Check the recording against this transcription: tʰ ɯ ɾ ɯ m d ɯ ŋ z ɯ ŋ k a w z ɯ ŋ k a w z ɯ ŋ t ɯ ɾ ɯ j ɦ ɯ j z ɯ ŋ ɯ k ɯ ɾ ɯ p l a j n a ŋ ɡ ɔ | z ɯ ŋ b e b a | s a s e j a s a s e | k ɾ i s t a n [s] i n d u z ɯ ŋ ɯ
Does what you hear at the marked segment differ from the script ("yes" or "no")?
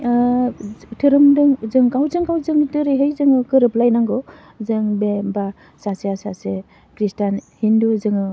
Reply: yes